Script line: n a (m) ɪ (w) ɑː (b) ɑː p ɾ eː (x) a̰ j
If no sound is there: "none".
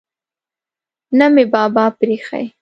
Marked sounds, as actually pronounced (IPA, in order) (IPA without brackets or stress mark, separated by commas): m, b, b, x